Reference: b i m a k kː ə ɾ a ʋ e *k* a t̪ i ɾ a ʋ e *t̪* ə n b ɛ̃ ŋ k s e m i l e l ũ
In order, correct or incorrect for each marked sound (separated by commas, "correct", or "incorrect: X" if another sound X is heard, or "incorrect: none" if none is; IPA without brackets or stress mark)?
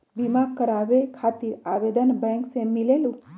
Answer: incorrect: kʰ, incorrect: d̪